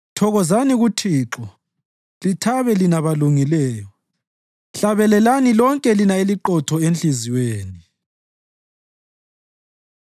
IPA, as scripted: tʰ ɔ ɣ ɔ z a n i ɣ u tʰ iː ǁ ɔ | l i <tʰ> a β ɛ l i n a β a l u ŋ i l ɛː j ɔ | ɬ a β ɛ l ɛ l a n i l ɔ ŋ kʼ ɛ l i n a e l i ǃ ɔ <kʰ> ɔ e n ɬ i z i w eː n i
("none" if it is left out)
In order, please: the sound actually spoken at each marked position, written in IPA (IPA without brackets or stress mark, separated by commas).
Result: tʰ, tʰ